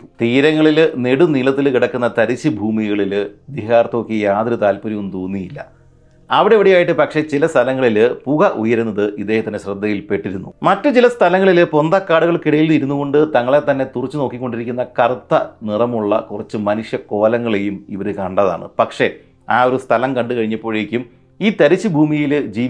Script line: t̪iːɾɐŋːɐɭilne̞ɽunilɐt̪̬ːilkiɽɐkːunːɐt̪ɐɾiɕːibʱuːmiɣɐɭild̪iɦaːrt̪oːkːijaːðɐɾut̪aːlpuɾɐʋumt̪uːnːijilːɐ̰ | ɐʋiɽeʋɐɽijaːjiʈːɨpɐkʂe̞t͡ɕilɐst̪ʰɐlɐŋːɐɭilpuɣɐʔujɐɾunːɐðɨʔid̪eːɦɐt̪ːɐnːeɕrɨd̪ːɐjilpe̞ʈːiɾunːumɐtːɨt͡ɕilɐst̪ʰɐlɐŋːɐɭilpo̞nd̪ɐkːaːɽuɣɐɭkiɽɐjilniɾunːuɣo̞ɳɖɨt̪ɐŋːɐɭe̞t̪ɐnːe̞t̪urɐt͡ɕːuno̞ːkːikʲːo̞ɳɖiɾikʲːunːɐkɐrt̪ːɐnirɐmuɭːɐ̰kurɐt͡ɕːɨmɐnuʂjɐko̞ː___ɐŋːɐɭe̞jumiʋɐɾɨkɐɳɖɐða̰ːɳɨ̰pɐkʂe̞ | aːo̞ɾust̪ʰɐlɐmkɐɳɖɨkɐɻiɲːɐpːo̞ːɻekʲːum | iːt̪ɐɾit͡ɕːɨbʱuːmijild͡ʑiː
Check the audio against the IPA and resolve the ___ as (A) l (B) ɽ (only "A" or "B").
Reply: A